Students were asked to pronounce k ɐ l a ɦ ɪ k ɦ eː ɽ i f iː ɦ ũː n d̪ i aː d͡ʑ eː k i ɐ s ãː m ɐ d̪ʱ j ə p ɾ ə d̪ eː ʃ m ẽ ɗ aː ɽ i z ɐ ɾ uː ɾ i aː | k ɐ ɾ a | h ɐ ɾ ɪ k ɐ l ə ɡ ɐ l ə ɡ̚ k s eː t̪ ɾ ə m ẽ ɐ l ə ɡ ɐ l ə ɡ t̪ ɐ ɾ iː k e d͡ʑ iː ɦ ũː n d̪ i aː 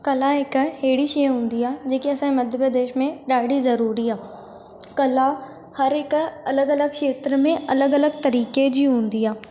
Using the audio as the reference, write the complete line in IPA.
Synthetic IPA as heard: k ɐ l a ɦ ɪ k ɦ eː ɽ i ʃ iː ɦ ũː n d̪ i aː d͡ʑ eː k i ɐ s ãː m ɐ d̪ʱ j ə p ɾ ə d̪ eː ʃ m ẽ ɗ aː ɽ i z ɐ ɾ uː ɾ i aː | k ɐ l a | h ɐ ɾ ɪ k ɐ l ə ɡ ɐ l ə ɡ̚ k ʃ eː t̪ ɾ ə m ẽ ɐ l ə ɡ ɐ l ə ɡ t̪ ɐ ɾ iː k e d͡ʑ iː ɦ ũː n d̪ i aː